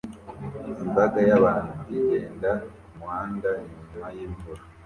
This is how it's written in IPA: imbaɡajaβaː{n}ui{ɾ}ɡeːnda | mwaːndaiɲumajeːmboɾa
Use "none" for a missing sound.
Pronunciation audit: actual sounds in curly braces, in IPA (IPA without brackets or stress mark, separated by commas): n, none